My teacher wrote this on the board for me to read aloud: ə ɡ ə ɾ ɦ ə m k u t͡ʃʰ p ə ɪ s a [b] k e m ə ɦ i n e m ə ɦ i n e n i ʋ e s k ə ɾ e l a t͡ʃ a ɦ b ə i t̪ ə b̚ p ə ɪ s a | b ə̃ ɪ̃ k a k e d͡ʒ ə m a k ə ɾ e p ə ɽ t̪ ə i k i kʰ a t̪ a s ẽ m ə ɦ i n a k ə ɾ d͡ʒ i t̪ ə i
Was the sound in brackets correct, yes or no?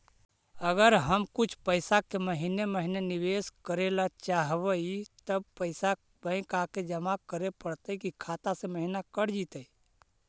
no